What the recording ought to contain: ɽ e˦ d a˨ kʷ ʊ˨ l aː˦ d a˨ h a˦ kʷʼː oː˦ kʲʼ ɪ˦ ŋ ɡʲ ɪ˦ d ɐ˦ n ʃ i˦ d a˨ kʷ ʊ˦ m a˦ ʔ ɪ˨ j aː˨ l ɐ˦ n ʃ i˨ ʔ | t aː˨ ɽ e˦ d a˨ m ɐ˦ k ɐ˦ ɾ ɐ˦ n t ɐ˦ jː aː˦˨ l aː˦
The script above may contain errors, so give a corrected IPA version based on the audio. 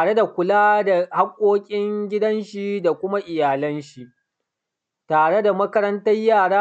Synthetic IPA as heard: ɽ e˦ d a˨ kʷ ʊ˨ l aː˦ d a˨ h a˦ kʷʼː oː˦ kʲʼ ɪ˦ ŋ ɡʲ ɪ˦ d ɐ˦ n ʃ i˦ d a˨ kʷ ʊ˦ m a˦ ʔ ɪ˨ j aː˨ l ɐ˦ n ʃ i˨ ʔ | t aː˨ ɽ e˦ d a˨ m ɐ˦ k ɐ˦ ɾ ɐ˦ n t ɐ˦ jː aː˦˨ ɽ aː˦